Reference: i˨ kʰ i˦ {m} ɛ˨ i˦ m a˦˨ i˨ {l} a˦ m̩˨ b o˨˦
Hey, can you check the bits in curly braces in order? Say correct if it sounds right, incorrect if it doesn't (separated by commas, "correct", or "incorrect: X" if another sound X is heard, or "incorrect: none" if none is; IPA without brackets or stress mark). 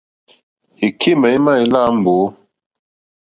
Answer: correct, correct